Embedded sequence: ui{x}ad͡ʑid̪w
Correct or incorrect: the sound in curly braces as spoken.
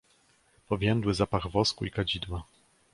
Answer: incorrect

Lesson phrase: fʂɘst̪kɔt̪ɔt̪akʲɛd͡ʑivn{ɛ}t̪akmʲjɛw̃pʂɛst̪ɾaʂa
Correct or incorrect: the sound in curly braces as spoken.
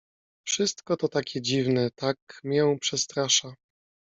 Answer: correct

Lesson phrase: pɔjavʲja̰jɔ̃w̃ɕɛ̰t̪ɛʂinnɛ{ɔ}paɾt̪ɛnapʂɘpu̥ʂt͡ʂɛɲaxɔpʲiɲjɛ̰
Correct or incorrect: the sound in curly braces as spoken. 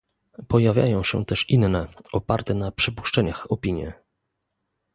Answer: correct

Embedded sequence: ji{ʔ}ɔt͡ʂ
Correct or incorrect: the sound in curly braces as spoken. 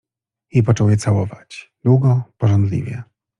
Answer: incorrect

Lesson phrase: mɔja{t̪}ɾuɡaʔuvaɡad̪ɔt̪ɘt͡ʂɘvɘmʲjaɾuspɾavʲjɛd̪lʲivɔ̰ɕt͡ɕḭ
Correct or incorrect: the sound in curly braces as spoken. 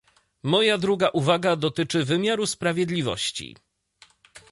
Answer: incorrect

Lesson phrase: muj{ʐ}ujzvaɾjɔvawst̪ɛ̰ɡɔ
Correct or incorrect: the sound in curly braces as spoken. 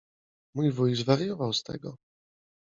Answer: incorrect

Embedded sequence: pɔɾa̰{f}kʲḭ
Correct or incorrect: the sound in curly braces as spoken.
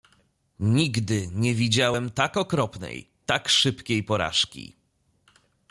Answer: incorrect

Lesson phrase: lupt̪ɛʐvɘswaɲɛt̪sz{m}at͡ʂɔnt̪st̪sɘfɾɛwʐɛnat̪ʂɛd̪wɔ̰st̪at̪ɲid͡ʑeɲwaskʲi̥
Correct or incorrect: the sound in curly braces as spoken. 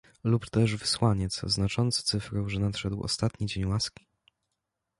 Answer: incorrect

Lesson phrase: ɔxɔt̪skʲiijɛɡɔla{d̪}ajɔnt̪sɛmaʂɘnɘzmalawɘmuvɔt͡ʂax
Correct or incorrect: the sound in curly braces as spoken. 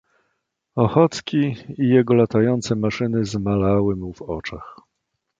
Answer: incorrect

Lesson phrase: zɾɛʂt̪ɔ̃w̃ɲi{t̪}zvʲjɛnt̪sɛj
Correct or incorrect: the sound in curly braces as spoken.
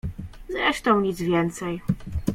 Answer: incorrect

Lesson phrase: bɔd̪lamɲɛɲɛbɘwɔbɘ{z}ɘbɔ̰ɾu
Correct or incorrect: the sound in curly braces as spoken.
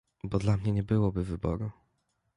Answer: incorrect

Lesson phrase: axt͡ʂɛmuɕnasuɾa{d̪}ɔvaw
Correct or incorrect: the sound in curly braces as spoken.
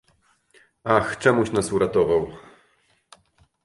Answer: incorrect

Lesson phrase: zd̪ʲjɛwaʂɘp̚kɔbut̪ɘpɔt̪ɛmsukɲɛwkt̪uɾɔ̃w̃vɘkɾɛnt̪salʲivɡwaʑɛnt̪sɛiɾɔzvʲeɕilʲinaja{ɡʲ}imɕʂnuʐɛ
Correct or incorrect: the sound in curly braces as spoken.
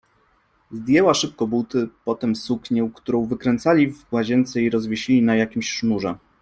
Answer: incorrect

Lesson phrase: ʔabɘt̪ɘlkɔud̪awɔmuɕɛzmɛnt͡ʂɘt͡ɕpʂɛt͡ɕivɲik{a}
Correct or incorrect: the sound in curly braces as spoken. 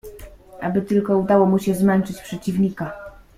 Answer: correct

